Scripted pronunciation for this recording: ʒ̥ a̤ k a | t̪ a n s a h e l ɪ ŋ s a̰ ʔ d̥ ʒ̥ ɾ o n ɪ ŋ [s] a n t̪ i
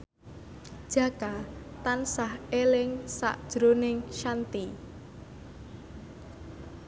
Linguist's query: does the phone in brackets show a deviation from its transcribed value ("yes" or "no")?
yes